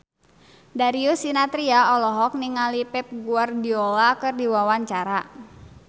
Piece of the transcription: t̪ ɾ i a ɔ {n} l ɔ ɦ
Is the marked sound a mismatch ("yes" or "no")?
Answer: yes